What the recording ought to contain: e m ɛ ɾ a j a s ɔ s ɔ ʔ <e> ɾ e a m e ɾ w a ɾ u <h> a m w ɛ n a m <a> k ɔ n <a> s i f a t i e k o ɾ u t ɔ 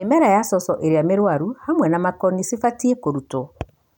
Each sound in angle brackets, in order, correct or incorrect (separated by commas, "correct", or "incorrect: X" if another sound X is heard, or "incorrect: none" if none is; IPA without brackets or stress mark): correct, correct, correct, incorrect: i